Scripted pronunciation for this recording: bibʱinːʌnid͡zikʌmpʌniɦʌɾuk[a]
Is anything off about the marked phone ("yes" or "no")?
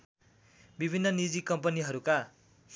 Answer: no